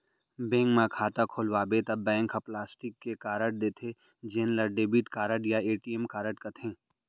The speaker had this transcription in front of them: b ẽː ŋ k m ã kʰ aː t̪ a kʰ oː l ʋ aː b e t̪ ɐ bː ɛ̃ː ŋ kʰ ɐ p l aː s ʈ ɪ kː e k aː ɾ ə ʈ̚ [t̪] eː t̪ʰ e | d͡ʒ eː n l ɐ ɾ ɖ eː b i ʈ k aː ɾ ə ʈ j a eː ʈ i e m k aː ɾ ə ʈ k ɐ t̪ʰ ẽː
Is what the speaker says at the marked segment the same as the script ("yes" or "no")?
no